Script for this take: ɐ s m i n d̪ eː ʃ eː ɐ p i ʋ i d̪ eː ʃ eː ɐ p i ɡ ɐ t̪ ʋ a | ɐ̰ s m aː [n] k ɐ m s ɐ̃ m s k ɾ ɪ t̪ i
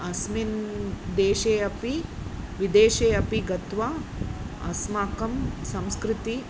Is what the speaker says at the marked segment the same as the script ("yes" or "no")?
no